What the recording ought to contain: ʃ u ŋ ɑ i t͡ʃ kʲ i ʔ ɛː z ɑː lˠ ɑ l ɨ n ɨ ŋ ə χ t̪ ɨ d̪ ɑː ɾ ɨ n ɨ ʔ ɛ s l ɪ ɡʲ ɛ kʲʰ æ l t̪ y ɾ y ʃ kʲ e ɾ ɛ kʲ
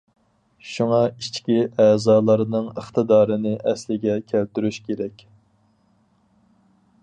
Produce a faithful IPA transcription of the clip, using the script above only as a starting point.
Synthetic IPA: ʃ u ŋ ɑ i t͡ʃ kʲ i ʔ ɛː z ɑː lˠ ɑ ɾ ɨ n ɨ ŋ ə χ t̪ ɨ d̪ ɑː ɾ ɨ n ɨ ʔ ɛ s l ɪ ɡʲ ɛ kʲʰ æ l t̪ y ɾ y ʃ kʲ e ɾ ɛ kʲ